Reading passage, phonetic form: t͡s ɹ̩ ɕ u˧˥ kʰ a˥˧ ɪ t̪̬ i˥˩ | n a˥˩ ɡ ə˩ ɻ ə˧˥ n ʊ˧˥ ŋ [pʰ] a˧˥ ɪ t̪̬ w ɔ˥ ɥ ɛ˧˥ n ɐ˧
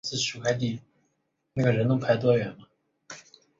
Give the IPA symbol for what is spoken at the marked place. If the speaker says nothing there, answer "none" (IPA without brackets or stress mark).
pʰ